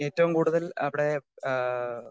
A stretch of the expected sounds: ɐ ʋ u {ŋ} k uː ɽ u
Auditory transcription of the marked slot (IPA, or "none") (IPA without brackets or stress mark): m